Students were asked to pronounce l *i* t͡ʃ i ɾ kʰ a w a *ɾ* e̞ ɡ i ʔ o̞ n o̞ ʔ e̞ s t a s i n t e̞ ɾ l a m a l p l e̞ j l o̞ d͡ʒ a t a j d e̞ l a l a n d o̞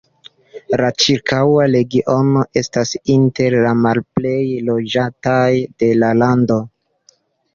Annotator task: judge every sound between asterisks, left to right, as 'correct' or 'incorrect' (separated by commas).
incorrect, incorrect